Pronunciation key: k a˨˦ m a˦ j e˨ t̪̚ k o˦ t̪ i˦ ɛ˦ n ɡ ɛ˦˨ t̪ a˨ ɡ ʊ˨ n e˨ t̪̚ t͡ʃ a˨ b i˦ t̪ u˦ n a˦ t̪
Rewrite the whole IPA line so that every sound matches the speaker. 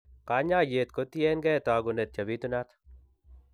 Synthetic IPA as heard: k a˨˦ ɲ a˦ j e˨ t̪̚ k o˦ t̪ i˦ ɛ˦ n ɡ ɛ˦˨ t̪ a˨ ɡ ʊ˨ n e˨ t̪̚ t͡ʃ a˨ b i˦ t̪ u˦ n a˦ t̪